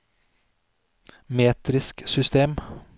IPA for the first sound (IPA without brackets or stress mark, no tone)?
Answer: m